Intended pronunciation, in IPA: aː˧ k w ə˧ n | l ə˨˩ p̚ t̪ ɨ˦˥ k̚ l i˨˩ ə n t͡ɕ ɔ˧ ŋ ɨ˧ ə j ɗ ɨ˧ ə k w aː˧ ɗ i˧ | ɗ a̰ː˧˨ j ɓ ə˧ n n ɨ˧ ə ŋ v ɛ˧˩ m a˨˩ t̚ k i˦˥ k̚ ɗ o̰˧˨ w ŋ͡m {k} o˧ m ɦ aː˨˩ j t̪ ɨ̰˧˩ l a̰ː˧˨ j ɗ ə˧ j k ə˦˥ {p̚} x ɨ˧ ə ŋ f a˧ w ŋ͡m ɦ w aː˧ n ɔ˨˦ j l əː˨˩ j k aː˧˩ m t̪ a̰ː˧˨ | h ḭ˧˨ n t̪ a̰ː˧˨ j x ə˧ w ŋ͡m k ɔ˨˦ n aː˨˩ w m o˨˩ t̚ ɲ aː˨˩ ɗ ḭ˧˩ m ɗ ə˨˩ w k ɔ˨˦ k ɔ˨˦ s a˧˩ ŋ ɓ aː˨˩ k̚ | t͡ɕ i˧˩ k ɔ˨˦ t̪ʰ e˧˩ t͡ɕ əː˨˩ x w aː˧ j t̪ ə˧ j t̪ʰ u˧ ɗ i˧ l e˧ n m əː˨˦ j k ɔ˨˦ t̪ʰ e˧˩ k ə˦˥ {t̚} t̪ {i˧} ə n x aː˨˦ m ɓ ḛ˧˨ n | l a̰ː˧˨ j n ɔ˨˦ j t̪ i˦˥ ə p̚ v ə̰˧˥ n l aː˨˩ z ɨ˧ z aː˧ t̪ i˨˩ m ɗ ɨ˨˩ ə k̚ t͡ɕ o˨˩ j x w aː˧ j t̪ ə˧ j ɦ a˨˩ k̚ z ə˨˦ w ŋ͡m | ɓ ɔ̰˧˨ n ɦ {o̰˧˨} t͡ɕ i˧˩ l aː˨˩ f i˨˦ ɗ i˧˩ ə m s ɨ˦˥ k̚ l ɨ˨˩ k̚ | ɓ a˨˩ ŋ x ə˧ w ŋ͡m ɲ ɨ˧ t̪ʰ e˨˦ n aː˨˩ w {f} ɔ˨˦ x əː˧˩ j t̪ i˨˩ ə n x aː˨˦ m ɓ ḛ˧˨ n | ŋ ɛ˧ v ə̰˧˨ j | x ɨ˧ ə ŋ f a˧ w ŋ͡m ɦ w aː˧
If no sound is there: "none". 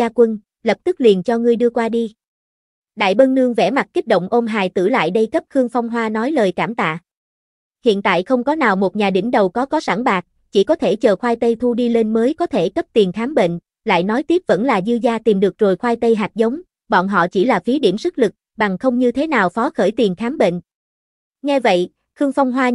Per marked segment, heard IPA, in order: ʔ, p̚, p̚, i˨˩, ɔ̰˧˨, f

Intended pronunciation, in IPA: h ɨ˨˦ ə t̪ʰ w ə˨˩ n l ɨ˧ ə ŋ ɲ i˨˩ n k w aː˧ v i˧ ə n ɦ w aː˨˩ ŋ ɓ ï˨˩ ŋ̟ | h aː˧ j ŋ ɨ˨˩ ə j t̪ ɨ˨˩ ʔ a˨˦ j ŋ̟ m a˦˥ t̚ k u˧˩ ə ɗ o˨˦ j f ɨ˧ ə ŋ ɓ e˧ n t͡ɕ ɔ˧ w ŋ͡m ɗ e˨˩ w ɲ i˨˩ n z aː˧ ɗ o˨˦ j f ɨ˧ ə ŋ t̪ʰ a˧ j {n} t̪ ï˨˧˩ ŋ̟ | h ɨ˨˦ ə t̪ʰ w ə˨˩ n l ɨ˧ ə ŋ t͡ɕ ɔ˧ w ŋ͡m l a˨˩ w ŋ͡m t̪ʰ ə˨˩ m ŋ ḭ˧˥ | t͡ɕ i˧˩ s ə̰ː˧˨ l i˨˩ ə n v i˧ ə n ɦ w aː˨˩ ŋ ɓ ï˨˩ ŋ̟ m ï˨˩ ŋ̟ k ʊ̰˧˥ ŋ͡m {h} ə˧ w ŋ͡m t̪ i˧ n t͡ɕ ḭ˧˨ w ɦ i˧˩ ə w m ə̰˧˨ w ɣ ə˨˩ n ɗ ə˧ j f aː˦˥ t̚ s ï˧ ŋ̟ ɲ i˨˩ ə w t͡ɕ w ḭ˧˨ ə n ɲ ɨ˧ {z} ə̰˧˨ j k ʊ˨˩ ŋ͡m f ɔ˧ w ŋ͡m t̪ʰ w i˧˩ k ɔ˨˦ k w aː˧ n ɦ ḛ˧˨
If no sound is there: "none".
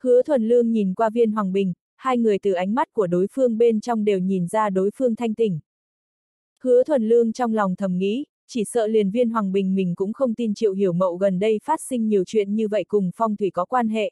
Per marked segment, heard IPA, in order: ŋ, x, v

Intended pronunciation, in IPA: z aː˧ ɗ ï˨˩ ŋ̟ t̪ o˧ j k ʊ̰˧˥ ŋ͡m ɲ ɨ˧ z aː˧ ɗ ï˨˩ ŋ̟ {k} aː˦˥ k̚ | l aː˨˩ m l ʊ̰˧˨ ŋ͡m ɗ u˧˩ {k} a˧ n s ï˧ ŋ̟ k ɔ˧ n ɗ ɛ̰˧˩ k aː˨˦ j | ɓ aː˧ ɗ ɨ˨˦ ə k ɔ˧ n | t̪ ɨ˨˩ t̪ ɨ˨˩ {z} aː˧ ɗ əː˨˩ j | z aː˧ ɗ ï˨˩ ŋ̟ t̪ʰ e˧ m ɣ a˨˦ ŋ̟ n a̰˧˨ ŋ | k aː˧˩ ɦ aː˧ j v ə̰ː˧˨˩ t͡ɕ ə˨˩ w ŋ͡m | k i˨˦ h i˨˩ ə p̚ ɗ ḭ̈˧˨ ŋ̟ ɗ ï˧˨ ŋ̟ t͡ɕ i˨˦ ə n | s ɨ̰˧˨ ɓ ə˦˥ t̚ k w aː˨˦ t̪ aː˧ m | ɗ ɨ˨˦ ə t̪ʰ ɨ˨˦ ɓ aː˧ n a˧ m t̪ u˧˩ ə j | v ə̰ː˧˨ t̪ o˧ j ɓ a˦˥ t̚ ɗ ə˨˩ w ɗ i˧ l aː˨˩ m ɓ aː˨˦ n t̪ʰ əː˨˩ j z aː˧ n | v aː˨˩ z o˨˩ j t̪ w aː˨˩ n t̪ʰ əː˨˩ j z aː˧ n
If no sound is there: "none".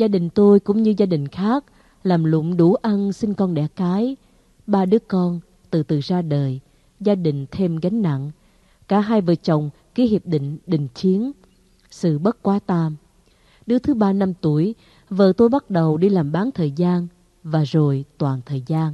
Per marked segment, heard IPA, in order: x, ʔ, z

